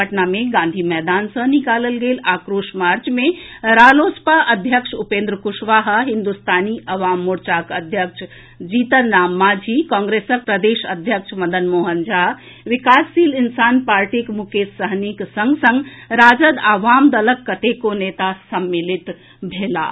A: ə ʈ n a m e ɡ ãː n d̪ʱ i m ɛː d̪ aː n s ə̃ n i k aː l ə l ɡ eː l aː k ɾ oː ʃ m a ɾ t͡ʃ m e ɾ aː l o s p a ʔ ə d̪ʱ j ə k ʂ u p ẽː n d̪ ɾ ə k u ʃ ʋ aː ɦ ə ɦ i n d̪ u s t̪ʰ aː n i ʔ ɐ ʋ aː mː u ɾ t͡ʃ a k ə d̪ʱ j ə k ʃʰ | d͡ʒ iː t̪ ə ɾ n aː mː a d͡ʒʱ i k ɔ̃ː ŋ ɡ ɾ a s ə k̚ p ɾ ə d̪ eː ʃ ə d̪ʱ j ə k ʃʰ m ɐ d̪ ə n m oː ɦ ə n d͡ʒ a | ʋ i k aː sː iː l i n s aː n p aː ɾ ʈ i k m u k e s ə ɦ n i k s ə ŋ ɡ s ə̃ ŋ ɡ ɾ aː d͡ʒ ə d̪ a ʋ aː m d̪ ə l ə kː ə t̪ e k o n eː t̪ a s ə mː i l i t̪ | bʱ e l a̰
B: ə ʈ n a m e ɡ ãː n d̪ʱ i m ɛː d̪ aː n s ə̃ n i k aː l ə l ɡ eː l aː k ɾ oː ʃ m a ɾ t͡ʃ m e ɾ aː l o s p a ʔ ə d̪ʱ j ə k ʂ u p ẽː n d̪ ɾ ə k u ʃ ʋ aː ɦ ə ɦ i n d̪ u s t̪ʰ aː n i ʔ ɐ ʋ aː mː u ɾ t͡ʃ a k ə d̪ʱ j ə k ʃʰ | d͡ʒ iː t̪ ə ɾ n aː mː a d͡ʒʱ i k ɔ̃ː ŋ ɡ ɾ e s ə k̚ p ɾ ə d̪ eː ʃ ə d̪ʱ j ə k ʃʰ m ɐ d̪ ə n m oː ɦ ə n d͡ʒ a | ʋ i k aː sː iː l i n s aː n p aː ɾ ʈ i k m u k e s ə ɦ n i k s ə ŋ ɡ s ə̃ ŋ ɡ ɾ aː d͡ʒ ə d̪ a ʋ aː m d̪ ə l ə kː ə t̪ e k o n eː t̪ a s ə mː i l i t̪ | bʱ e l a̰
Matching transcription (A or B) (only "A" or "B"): B